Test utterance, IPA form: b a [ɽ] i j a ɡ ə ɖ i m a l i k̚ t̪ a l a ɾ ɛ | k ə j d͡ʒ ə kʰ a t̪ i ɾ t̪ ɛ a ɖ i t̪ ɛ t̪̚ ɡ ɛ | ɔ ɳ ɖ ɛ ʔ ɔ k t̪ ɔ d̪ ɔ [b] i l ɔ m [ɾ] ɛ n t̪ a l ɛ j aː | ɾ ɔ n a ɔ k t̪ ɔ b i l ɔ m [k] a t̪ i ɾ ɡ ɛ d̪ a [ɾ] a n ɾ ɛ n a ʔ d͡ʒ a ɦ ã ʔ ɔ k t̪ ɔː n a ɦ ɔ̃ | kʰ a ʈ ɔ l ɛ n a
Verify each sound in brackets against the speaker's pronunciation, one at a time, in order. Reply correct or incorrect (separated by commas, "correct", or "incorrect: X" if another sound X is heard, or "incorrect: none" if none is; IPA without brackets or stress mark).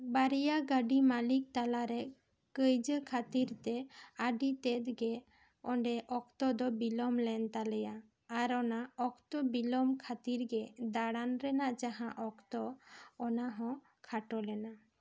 incorrect: ɾ, correct, incorrect: l, incorrect: kʰ, incorrect: ɽ